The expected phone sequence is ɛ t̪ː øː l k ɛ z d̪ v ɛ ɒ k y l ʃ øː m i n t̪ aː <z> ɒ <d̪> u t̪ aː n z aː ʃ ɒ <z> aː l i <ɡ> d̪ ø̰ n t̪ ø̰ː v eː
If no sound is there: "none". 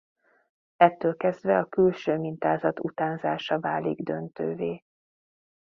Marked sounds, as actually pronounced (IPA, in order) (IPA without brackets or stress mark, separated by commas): z, t̪, v, ɡ